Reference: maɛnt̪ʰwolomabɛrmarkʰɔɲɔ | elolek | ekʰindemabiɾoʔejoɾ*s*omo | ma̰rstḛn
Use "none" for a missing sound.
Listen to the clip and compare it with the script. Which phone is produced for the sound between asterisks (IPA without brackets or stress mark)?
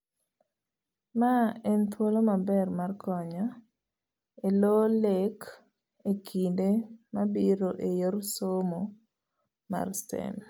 s